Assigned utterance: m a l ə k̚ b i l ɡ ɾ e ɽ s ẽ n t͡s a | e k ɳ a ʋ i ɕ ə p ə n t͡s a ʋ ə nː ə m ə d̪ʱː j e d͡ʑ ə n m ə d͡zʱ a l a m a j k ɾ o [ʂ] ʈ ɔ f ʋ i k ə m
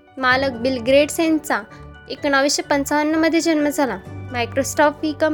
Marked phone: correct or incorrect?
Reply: incorrect